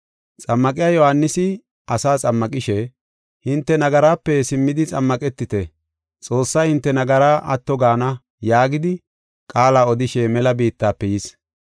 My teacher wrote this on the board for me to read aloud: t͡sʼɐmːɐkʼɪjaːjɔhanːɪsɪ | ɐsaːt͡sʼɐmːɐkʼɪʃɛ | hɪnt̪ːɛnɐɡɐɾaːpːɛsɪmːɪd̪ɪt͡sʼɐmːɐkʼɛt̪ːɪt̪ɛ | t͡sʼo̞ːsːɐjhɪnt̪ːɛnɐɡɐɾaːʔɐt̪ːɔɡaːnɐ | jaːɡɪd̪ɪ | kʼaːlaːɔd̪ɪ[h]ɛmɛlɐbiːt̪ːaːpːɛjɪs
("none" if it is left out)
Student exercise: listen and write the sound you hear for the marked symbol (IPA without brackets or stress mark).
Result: ʃ